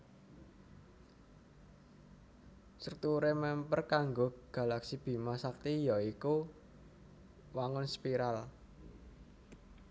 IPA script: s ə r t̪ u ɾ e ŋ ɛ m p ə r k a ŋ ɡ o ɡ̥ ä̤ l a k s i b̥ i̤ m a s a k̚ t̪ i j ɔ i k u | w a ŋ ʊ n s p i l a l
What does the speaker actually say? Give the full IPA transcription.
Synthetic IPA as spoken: s ə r t̪ u ɾ e m ɛ m p ə r k a ŋ ɡ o ɡ̥ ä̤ l a k s i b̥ i̤ m a s a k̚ t̪ i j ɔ i k u | w a ŋ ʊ n s p i ɾ a l